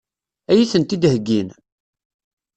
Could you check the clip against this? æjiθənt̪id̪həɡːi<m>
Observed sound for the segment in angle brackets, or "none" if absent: n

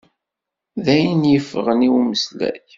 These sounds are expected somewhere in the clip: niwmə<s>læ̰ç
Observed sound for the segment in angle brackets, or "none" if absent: s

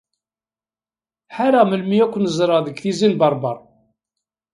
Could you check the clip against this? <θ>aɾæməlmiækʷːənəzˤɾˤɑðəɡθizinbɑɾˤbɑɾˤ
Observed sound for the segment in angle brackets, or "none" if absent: ħ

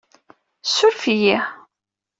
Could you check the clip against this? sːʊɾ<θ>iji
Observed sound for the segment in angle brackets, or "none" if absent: f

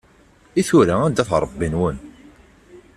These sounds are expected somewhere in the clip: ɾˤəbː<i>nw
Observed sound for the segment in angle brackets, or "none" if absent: i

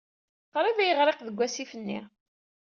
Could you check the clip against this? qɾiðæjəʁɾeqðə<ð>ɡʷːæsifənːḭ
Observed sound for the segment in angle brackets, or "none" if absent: none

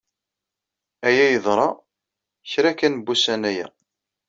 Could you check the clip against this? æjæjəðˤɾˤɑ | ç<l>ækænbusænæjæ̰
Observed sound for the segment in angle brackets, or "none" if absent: ɾ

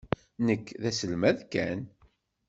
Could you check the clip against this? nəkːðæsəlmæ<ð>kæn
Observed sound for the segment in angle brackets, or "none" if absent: ð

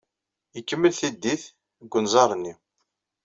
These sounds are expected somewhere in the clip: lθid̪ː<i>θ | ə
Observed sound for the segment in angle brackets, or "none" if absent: i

